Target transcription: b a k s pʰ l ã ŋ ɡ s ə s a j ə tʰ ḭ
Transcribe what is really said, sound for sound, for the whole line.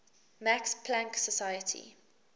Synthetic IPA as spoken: m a k s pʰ l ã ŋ k s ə s a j ə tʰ ḭ

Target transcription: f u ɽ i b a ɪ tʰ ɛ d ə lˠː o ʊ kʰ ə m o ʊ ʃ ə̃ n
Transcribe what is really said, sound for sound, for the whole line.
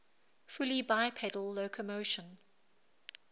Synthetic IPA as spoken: f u l i b a ɪ pʰ ɛ d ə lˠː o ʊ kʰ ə m o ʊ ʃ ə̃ n

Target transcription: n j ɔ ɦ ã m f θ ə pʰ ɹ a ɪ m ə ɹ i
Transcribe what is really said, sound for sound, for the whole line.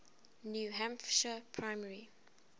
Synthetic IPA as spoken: n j u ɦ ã m f ʃ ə pʰ ɹ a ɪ m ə ɹ i

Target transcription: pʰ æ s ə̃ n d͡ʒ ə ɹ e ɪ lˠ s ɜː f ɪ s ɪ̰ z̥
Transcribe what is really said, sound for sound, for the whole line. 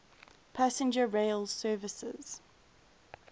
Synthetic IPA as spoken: pʰ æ s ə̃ n d͡ʒ ə ɹ e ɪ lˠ s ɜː v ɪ s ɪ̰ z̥

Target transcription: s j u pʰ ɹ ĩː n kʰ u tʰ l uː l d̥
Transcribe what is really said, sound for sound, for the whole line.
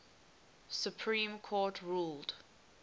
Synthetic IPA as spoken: s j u pʰ ɹ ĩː m kʰ ɔ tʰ ɹ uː l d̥

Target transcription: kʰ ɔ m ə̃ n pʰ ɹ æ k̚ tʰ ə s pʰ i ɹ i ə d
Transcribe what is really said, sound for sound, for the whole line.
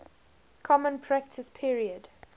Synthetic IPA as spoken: kʰ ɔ m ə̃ n pʰ ɹ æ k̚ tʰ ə s pʰ i ɹ i ə d

